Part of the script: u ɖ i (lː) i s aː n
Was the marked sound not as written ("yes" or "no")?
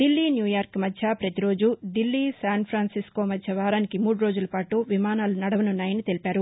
no